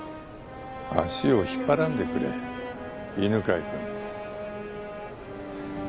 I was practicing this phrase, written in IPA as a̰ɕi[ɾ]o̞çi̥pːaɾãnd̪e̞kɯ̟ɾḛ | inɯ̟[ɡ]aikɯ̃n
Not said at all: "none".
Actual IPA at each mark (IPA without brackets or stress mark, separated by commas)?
none, k